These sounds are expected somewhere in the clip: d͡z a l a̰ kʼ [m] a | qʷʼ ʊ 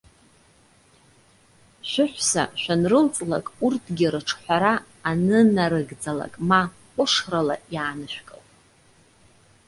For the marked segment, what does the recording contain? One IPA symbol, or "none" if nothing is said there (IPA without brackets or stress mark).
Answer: m